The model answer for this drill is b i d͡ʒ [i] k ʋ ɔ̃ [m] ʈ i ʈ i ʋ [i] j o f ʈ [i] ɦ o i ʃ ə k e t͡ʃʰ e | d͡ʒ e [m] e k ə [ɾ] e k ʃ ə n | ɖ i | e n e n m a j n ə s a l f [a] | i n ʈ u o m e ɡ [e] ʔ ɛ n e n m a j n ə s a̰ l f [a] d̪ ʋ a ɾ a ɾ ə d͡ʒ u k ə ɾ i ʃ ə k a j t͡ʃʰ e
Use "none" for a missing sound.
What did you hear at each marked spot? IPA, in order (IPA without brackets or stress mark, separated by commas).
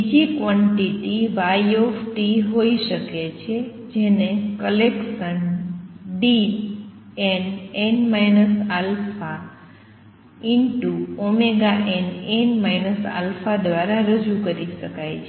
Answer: i, ɳ, a, i, n, l, a, a, a